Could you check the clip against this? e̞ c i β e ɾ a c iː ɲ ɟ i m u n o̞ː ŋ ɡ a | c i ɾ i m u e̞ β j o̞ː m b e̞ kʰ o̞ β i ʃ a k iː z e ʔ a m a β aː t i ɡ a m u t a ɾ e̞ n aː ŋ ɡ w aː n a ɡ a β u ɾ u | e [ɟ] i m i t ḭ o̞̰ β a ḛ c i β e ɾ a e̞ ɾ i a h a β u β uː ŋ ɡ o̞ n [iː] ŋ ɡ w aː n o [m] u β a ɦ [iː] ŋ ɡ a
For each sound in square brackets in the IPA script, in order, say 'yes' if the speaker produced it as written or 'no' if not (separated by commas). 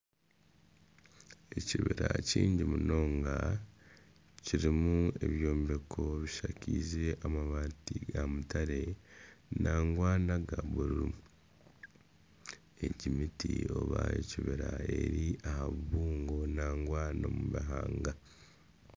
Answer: yes, no, yes, no